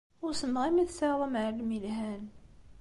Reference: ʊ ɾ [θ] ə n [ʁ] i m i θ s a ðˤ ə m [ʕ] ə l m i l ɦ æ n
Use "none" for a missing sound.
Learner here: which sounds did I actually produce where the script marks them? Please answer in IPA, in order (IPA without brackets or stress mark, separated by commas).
s, ʁ, ʕ